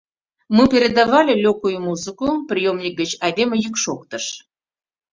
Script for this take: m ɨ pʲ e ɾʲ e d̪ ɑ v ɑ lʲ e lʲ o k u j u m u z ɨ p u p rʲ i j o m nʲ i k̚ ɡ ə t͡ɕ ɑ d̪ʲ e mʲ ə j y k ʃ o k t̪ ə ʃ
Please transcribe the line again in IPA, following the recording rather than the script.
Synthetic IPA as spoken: m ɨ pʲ e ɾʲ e d̪ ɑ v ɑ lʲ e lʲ o k u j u m u z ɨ k u p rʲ i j o m nʲ i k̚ ɡ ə t͡ɕ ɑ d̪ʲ e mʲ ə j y k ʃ o k t̪ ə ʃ